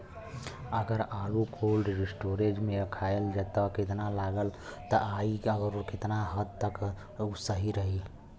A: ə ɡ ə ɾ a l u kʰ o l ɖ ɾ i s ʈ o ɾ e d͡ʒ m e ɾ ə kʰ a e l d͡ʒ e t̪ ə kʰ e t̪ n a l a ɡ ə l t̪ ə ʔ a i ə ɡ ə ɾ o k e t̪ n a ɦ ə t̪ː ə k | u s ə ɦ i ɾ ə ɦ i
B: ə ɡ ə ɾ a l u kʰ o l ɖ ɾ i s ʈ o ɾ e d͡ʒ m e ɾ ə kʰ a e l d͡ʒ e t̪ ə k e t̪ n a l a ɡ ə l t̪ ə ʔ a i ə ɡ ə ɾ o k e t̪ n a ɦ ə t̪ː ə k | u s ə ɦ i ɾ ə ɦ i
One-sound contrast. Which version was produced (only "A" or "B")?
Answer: B